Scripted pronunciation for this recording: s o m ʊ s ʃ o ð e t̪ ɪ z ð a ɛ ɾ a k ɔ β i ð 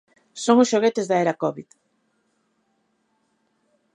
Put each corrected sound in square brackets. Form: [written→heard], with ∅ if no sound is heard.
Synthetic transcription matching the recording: s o [m→ŋ] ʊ s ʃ o [ð→ɣ] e t̪ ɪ z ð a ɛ ɾ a k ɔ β i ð